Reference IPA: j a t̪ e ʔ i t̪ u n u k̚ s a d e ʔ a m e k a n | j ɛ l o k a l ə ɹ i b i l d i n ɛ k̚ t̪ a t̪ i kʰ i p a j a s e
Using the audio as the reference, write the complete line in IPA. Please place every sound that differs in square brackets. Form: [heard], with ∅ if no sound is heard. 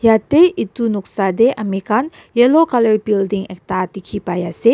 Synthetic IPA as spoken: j a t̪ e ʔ i t̪ u n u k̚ s a d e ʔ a m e k a n | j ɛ l o k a l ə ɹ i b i l d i [ŋ] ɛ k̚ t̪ a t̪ i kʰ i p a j a s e